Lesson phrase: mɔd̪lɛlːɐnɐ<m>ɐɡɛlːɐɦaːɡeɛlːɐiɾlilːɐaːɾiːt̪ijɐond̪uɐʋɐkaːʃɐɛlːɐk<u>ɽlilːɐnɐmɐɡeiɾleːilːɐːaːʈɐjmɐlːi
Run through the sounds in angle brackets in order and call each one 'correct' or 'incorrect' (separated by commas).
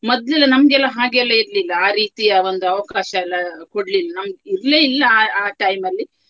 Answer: correct, incorrect